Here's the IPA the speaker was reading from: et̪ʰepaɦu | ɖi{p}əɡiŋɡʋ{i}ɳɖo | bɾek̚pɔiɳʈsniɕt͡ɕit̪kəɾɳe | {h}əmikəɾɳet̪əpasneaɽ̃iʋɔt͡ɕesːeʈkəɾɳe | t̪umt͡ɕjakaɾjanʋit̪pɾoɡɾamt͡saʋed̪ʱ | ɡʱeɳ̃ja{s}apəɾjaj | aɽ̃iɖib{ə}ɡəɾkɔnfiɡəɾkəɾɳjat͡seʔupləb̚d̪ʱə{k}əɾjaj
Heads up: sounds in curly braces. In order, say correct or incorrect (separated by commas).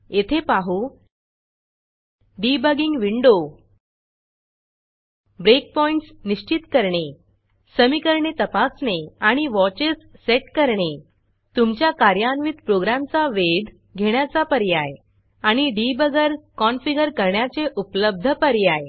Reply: incorrect, correct, incorrect, incorrect, correct, incorrect